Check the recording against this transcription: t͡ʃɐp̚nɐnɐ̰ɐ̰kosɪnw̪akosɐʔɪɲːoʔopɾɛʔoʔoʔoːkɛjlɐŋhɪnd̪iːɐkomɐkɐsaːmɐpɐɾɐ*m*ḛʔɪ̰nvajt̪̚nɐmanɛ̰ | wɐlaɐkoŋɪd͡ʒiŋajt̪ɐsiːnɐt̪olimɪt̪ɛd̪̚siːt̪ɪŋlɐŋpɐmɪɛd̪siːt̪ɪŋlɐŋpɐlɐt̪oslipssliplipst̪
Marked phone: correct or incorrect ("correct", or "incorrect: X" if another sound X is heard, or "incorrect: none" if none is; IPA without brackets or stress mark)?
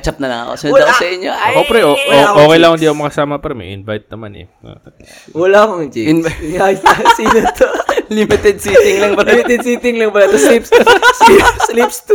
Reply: correct